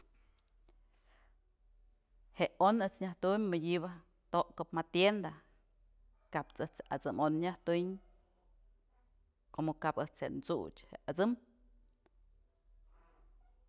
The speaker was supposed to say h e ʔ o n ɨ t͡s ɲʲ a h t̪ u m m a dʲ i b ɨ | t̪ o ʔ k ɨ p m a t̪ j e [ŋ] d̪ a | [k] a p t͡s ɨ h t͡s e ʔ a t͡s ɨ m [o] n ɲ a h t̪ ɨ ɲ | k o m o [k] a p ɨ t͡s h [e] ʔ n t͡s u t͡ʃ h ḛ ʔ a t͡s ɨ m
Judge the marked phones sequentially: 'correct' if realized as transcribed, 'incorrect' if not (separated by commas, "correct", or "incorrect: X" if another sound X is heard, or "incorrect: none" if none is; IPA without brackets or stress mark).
incorrect: n, correct, correct, correct, correct